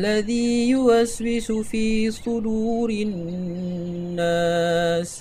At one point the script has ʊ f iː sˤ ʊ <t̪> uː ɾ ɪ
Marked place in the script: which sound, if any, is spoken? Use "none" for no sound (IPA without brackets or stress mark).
d̪